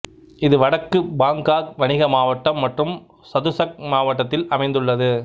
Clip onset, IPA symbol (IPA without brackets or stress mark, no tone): ɪ